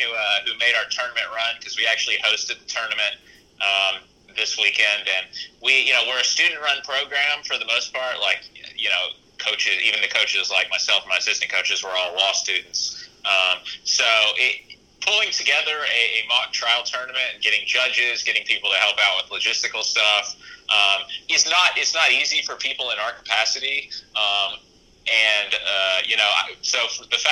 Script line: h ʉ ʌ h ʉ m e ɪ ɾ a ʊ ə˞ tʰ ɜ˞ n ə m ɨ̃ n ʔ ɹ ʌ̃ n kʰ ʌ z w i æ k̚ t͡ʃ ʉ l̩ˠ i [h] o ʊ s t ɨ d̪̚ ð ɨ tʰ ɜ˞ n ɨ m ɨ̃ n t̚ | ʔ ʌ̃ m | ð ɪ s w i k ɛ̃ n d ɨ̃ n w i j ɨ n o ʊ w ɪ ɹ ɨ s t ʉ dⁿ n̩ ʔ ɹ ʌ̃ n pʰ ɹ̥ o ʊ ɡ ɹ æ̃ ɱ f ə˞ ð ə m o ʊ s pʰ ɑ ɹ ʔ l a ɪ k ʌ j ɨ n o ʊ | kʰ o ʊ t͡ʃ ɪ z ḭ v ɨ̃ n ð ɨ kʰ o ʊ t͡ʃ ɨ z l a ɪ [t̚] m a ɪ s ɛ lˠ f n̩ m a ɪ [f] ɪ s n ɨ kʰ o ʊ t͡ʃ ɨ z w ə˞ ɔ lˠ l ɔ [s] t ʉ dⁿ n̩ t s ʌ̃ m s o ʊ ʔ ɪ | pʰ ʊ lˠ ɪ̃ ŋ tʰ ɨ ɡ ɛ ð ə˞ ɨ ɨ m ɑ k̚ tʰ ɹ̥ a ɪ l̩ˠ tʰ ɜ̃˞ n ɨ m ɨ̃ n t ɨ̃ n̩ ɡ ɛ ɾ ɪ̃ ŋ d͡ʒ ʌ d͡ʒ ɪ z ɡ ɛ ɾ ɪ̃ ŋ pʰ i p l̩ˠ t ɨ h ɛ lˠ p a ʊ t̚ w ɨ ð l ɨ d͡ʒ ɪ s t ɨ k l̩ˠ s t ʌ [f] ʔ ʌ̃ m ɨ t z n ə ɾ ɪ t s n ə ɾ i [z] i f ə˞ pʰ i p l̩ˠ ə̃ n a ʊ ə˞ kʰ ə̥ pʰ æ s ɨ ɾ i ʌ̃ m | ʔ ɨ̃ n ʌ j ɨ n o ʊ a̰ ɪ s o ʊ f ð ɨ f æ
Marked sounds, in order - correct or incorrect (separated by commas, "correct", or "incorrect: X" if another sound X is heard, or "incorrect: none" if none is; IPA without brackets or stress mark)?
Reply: correct, incorrect: k̚, incorrect: s, correct, correct, correct